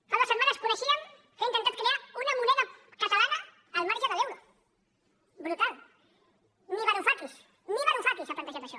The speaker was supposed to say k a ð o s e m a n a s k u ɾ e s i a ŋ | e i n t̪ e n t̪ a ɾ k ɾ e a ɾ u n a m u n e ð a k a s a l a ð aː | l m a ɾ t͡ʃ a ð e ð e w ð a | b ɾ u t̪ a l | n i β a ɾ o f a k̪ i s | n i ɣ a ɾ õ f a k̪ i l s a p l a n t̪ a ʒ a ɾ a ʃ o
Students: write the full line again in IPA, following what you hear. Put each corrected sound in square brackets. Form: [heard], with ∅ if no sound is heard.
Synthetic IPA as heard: k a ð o s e m a n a s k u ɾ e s i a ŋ | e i n t̪ e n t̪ a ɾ k ɾ e a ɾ u n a m u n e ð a k a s a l a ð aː | l m a ɾ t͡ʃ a ð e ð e w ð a | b ɾ u t̪ a l | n i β a ɾ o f a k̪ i s | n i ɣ a ɾ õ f a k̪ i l s a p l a n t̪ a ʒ a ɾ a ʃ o